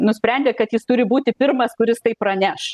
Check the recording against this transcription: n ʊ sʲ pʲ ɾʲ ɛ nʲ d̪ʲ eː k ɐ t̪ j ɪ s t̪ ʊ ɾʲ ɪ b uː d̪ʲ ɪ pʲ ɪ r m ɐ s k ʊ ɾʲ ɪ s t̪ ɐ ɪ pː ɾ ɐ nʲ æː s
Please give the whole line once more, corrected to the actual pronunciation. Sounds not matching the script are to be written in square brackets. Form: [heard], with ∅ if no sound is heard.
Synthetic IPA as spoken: n ʊ sʲ pʲ ɾʲ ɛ nʲ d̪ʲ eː k ɐ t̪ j ɪ s t̪ ʊ ɾʲ ɪ b uː [t̪ʲ] ɪ pʲ ɪ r m ɐ s k ʊ ɾʲ ɪ s t̪ ɐ ɪ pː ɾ ɐ nʲ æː [ʃ]